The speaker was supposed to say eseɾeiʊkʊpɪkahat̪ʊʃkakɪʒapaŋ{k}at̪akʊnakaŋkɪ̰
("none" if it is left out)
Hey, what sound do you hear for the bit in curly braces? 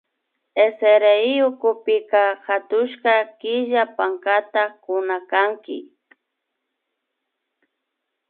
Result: k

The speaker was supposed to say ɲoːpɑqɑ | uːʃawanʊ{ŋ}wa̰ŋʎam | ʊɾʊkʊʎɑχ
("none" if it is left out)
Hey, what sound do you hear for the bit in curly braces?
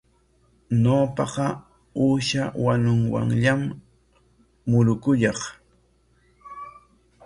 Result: ŋ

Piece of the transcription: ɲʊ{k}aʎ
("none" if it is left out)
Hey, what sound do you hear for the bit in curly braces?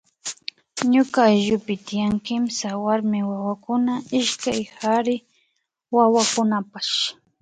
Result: k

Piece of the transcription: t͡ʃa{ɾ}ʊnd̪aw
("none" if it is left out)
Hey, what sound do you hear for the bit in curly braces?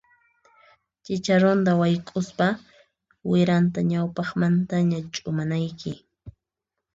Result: ɾ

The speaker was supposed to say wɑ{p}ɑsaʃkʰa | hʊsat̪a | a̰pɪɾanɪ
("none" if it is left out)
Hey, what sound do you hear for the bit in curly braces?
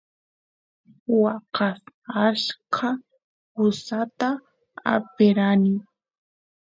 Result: q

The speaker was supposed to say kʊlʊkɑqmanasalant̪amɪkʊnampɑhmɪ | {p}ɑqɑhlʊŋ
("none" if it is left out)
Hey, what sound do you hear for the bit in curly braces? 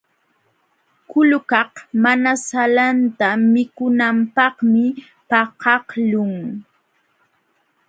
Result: p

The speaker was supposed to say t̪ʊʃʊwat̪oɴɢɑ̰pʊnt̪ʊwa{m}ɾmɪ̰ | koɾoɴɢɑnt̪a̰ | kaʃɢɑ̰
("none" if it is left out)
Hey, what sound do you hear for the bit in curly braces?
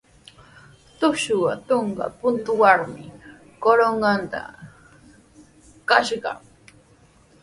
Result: none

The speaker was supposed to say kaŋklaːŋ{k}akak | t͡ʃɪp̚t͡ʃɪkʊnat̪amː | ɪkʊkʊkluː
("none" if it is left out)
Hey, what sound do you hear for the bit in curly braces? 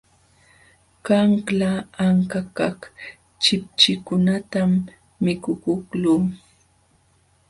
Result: k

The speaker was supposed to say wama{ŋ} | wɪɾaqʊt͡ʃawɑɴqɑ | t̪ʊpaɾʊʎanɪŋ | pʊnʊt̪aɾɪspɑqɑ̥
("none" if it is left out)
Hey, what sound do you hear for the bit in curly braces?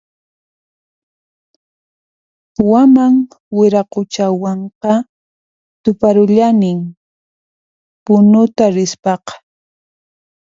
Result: ŋ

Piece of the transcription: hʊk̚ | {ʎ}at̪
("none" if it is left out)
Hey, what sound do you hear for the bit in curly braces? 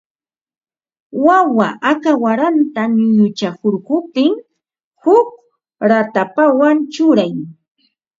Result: ɾ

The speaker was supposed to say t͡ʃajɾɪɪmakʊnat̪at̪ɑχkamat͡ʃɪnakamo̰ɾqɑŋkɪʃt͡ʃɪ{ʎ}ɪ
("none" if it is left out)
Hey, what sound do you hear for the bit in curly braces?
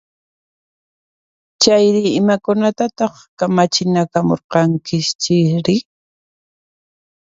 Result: ɾ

